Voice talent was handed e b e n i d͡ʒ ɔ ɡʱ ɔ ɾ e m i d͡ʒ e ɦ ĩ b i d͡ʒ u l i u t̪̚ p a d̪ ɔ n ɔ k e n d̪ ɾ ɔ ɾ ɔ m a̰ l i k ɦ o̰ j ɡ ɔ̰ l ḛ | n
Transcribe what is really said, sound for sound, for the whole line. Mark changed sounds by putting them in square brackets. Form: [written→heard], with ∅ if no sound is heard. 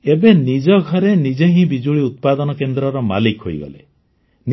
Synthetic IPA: e b e n i d͡ʒ ɔ ɡʱ ɔ ɾ e [m→n] i d͡ʒ e ɦ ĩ b i d͡ʒ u [l→ɭ] i u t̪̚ p a d̪ ɔ n ɔ k e n d̪ ɾ ɔ ɾ ɔ m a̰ l i k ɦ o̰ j ɡ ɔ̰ l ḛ | n